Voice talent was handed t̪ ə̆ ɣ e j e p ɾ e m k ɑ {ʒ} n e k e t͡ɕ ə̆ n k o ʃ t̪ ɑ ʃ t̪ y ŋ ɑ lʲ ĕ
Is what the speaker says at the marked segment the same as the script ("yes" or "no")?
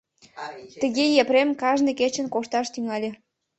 yes